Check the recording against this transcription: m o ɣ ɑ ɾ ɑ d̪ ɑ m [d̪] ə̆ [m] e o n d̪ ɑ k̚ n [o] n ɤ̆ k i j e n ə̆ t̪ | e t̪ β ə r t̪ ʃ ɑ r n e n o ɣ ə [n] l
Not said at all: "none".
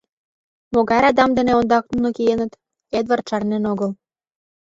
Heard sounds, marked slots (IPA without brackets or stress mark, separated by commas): d̪, n, u, none